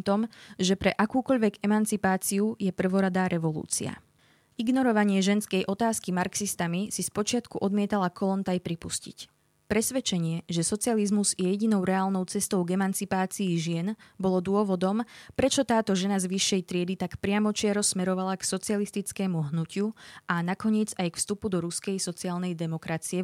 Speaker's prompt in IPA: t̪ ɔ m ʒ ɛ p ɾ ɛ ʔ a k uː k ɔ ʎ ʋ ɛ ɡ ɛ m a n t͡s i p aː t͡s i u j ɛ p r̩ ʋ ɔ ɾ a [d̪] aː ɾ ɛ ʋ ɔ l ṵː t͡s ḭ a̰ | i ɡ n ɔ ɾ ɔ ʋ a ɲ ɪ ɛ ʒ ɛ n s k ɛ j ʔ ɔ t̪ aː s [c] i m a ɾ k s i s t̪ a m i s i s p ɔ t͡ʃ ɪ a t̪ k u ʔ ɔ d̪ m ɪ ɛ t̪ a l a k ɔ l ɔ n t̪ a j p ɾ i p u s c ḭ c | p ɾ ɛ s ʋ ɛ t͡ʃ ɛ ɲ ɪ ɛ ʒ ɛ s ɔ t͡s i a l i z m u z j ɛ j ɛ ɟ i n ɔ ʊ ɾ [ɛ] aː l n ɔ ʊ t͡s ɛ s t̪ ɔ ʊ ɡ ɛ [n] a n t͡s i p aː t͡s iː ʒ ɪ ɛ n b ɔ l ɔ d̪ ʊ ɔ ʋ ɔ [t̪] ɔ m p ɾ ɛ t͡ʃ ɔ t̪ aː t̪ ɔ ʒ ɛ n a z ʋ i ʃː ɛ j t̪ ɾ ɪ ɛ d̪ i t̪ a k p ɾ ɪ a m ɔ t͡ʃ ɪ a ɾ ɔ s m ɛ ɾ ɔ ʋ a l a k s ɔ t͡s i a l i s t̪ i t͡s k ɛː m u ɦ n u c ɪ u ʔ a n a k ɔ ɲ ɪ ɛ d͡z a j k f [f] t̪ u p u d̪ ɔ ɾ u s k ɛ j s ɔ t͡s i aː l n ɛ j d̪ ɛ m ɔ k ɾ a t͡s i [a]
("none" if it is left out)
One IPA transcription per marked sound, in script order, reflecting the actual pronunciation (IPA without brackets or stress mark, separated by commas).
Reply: d̪, k, ɛ, m, d̪, s, ɛ